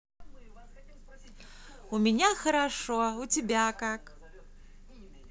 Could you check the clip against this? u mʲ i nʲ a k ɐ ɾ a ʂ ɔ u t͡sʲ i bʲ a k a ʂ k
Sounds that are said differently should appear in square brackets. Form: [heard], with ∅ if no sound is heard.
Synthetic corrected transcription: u mʲ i nʲ a [x] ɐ ɾ a ʂ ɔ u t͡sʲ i bʲ a k a [∅] k